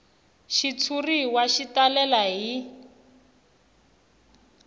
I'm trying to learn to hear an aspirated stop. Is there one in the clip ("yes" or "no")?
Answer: yes